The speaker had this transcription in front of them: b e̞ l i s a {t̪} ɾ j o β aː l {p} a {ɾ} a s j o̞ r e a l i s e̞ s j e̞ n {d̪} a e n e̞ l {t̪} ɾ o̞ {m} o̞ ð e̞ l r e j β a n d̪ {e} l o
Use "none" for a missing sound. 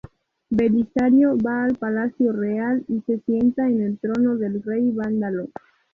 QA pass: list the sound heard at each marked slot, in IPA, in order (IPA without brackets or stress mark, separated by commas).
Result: none, p, l, t̪, t̪, n, a